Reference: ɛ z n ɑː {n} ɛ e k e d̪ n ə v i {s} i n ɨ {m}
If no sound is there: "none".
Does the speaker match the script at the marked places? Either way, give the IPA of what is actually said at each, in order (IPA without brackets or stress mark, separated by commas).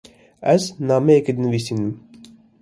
m, s, m